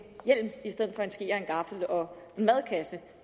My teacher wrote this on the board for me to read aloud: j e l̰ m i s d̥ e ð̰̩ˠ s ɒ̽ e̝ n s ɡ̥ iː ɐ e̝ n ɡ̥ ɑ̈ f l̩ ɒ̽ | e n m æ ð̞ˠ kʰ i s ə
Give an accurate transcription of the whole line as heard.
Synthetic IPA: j e l̰ m i s d̥ e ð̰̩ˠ f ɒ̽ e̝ n s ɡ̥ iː ɐ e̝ n ɡ̥ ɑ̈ f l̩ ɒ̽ | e n m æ ð̞ˠ kʰ æ s ə